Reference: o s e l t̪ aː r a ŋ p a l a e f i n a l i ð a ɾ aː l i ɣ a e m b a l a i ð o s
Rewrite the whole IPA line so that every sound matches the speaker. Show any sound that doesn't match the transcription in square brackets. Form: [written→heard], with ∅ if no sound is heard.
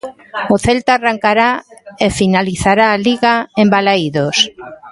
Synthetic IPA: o [s→θ] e l t̪ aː r a ŋ [p→k] a [l→ɾ] a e f i n a l i [ð→θ] a ɾ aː l i ɣ a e m b a l a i ð o s